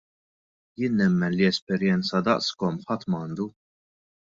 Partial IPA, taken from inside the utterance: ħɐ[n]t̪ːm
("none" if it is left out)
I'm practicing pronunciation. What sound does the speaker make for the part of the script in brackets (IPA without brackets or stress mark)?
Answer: none